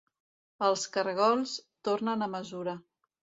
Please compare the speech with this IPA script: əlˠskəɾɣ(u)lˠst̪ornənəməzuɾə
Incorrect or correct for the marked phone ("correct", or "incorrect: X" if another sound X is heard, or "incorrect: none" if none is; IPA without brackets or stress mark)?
incorrect: ɔ